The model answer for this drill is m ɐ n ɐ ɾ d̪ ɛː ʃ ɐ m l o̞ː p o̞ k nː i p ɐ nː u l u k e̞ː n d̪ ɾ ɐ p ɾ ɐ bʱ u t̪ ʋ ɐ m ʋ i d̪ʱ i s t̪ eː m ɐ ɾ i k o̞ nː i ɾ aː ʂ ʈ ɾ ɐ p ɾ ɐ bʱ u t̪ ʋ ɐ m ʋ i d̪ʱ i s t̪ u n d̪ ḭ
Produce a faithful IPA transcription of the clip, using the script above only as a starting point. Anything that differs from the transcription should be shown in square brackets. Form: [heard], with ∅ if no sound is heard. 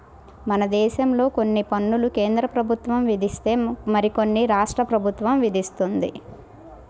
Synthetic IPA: m ɐ n ɐ [∅] d̪ ɛː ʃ ɐ m l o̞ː [k] o̞ [∅] nː i p ɐ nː u l u k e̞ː n d̪ ɾ ɐ p ɾ ɐ bʱ u t̪ ʋ ɐ m ʋ i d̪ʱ i s t̪ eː m ɐ ɾ i k o̞ nː i ɾ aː ʂ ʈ ɾ ɐ p ɾ ɐ bʱ u t̪ ʋ ɐ m ʋ i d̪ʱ i s t̪ u n d̪ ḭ